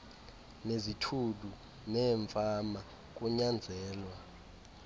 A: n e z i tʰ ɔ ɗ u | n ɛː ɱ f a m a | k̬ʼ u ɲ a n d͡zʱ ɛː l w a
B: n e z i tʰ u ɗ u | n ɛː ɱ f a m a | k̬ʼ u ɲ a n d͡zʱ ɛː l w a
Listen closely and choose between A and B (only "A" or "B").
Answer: B